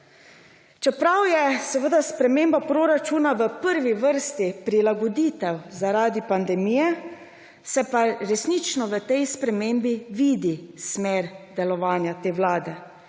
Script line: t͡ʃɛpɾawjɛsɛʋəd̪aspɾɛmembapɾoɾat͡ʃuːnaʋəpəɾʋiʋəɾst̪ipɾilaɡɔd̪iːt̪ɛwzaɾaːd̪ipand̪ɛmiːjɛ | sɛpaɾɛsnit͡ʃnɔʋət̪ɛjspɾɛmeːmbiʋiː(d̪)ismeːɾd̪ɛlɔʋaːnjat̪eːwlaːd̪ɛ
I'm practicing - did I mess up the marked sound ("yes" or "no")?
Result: no